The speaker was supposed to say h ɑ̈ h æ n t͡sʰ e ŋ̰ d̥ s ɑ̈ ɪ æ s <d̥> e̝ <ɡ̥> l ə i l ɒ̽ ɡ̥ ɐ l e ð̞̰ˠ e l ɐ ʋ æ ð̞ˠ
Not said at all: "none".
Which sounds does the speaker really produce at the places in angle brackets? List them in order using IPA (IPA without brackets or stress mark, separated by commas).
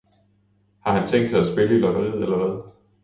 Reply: b̥, none